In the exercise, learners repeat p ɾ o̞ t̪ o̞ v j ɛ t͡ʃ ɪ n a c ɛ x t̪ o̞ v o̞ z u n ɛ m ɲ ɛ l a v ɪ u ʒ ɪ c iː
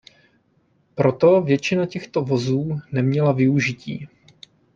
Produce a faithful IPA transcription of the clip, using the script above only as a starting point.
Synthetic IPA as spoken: p ɾ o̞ t̪ o̞ v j ɛ t͡ʃ ɪ n a c ɛ x t̪ o̞ v o̞ z uː n ɛ m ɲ ɛ l a v ɪ u ʒ ɪ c iː